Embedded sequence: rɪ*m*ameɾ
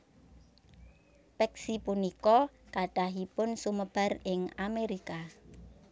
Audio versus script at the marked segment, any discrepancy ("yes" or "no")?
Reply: yes